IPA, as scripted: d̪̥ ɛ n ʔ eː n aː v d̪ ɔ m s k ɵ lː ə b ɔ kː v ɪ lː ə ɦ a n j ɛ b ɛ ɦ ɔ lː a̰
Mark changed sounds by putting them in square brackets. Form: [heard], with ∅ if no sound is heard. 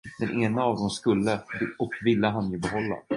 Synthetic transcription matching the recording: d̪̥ ɛ n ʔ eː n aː v d̪ ɔ m s k ɵ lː ə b ɔ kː v ɪ lː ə ɦ a n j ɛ b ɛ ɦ ɔ lː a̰